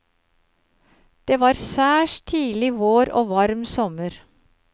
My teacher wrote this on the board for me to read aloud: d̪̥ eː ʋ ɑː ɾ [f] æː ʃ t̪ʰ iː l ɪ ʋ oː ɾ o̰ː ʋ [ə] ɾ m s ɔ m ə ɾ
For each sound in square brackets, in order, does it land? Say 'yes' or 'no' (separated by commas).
no, no